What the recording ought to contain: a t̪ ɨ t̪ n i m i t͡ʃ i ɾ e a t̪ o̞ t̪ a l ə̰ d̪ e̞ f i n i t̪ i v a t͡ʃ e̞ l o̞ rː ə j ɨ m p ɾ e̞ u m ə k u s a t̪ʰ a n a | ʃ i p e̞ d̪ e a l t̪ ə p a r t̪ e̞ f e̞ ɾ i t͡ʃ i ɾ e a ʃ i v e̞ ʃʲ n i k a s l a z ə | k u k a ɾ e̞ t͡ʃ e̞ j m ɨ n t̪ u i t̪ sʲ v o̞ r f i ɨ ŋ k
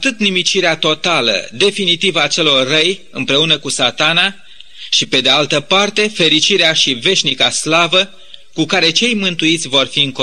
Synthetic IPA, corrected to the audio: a t̪ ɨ t̪ n i m i t͡ʃ i ɾ e a t̪ o̞ t̪ a l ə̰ d̪ e̞ f i n i t̪ i v a t͡ʃ e̞ l o̞ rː ə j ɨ m p ɾ e̞ u n ə k u s a t̪ a n a | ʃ i p e̞ d̪ e a l t̪ ə p a r t̪ e̞ f e̞ ɾ i t͡ʃ i ɾ e a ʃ i v e̞ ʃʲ n i k a s l a v ə | k u k a ɾ e̞ t͡ʃ e̞ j m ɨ n t̪ u i t̪ sʲ v o̞ r f i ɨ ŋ k